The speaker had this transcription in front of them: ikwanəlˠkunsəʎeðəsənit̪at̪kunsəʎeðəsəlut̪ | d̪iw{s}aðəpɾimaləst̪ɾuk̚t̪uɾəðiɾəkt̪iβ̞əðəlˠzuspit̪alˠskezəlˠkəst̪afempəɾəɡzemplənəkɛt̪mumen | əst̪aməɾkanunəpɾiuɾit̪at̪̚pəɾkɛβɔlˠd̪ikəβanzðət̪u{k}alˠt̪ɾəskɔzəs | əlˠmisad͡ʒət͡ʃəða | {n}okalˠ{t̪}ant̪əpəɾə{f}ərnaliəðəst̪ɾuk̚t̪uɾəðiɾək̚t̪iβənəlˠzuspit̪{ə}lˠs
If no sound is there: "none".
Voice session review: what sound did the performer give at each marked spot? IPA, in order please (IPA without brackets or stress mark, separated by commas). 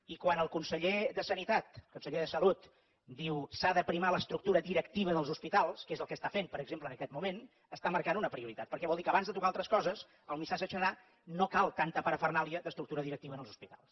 s, k, n, t̪, f, a